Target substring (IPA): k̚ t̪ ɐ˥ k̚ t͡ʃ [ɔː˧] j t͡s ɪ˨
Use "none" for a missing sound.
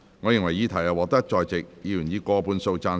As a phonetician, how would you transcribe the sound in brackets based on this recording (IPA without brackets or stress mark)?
ɔː˧